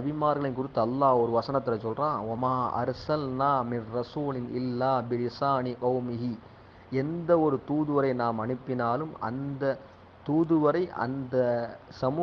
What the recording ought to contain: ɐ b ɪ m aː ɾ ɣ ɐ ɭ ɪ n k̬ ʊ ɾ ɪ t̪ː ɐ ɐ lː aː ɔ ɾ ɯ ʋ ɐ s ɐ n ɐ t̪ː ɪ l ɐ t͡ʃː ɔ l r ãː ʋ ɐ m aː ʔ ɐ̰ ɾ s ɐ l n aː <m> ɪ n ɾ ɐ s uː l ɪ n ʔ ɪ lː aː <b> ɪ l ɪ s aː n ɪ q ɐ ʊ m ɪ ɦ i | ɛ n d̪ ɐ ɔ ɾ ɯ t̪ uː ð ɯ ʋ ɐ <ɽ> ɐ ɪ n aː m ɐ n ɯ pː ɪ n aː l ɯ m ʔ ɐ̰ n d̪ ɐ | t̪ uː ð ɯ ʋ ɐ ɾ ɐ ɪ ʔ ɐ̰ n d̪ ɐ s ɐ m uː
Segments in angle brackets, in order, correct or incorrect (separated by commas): correct, correct, incorrect